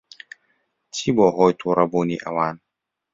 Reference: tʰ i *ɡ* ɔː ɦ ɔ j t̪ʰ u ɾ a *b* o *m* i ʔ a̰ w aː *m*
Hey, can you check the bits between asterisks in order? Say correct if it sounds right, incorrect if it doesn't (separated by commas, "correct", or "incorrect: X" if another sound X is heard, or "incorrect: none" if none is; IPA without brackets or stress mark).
incorrect: b, correct, incorrect: n, incorrect: n